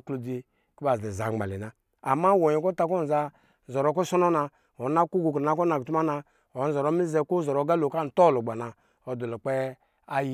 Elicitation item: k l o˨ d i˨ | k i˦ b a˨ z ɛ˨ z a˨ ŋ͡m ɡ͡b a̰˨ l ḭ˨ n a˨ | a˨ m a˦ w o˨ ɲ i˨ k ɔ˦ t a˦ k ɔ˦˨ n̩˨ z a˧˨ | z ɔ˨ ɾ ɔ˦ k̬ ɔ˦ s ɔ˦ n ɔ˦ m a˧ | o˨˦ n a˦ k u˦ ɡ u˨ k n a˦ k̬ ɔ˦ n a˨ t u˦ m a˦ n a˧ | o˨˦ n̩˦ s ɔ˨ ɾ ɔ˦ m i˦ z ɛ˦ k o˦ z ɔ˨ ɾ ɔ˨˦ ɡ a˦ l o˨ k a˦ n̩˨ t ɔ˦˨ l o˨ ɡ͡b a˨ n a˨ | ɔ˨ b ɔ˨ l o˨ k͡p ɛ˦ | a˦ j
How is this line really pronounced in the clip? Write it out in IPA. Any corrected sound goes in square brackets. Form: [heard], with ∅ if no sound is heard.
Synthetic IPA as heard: k l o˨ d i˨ | k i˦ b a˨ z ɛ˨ z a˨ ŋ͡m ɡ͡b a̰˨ l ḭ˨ n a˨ | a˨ m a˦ w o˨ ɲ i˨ k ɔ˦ t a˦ k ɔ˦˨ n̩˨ z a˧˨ | z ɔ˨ ɾ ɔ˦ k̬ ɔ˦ s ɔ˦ n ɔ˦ [n] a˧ | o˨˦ n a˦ k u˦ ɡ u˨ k n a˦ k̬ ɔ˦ n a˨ t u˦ m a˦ n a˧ | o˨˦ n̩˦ [z] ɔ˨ ɾ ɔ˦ m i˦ z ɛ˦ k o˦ z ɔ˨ ɾ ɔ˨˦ ɡ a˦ l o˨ k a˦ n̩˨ t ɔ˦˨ l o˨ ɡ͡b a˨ n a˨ | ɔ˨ [d] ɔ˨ l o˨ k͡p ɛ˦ | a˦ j